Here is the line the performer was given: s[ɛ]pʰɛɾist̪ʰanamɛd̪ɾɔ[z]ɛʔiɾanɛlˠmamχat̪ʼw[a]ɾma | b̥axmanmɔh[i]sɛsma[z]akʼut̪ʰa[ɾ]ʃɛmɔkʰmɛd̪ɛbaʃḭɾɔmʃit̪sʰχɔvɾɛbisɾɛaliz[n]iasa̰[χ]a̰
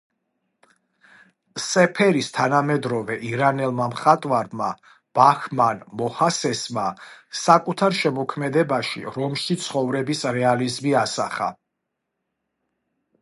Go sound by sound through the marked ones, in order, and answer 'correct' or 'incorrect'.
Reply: correct, incorrect: v, correct, incorrect: a, incorrect: s, correct, incorrect: m, correct

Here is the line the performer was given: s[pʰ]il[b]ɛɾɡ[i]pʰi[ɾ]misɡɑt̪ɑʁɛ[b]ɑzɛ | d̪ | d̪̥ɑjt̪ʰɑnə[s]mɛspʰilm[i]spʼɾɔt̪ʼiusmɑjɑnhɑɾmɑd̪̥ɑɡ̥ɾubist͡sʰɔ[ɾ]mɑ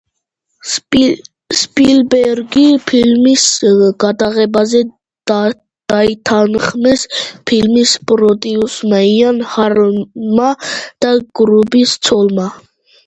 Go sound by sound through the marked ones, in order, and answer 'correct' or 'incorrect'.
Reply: incorrect: p, correct, correct, incorrect: l, correct, incorrect: χ, correct, incorrect: l

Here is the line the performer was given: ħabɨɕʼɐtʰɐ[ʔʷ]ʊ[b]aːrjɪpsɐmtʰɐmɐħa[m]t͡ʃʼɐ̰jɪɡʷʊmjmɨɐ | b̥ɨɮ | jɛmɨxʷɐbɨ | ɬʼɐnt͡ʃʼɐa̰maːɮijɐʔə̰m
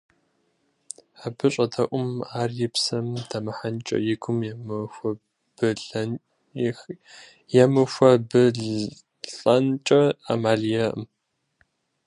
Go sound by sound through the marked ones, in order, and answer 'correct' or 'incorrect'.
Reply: correct, incorrect: m, incorrect: n

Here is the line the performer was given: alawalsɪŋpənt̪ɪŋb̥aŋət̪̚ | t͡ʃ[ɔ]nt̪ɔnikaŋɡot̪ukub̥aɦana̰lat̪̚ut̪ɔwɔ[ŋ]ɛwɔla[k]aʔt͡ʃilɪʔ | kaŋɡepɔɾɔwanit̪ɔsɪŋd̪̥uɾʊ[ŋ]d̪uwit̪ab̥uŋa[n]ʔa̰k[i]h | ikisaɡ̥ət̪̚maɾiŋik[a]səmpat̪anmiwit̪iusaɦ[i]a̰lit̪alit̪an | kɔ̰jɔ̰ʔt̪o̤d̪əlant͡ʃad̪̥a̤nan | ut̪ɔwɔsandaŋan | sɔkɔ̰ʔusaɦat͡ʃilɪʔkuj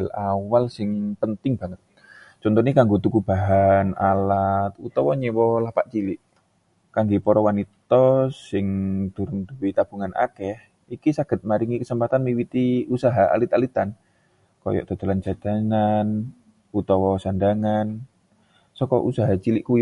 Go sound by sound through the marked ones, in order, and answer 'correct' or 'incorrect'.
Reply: correct, incorrect: ɲ, incorrect: p, incorrect: n, correct, incorrect: ɛ, incorrect: ə, incorrect: a

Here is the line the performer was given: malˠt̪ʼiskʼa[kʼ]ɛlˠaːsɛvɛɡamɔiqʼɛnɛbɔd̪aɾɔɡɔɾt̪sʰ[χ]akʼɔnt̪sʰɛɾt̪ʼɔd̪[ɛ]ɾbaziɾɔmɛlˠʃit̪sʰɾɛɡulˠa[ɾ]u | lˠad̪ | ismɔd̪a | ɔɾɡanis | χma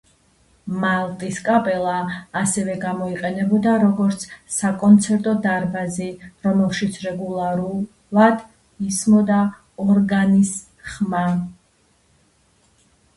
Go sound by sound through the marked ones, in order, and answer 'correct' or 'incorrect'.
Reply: incorrect: pʼ, incorrect: s, incorrect: a, correct

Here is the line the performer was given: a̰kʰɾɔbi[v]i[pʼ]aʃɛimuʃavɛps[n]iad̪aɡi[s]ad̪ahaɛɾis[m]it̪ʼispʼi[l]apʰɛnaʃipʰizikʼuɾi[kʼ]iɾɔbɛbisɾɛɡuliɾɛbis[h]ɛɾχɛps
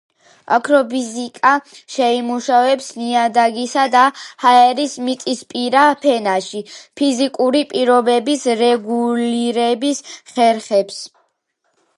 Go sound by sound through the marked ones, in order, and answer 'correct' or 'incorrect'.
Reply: incorrect: z, incorrect: kʼ, correct, correct, correct, incorrect: ɾ, incorrect: pʼ, incorrect: χ

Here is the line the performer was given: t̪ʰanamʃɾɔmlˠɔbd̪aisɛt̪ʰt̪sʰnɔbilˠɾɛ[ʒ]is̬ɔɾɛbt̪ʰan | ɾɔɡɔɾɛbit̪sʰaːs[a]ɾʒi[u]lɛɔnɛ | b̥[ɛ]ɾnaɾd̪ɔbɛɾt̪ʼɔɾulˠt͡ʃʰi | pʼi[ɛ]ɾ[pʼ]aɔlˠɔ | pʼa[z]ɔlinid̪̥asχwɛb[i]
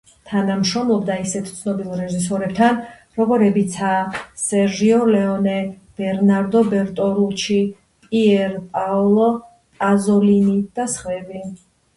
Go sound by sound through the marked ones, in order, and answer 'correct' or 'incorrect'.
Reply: correct, incorrect: ɛ, incorrect: ɔ, correct, correct, correct, correct, correct

